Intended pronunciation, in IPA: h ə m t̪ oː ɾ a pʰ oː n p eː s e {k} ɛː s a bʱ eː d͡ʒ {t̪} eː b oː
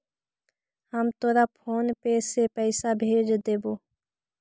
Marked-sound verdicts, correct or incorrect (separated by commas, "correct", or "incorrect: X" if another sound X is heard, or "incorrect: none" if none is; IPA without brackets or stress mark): incorrect: p, incorrect: d̪